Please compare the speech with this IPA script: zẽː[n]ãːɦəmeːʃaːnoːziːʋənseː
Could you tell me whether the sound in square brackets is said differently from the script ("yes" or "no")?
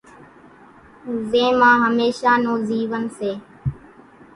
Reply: yes